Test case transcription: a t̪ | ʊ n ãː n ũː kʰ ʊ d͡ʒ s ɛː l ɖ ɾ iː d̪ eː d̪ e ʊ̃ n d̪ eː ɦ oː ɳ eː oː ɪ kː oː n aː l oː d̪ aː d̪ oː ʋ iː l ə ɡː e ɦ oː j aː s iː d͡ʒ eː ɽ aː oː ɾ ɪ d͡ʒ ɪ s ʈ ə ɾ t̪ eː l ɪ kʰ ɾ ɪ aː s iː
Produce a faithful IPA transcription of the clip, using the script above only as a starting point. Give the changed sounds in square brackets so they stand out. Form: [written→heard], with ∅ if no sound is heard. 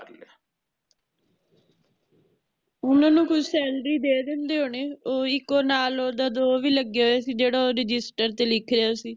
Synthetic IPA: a [t̪→∅] | ʊ n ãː n ũː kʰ ʊ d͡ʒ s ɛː l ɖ ɾ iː d̪ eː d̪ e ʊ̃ n d̪ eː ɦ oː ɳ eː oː ɪ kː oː n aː l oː d̪ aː d̪ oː ʋ iː l ə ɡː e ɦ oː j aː s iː d͡ʒ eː ɽ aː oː ɾ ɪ d͡ʒ ɪ s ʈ ə ɾ t̪ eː l ɪ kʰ ɾ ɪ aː s iː